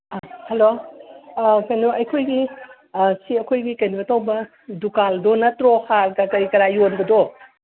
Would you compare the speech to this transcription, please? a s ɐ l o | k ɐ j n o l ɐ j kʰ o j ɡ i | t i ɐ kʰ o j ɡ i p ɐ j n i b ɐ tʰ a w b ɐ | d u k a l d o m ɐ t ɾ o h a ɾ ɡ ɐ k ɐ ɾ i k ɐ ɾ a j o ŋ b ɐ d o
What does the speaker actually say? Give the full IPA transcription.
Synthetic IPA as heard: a h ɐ l o | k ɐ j n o ɐ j kʰ o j ɡ i | s i ɐ kʰ o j ɡ i k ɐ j n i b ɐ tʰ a w b ɐ | d u k a l d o n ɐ t ɾ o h a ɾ ɡ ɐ k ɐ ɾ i k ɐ ɾ a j o n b ɐ d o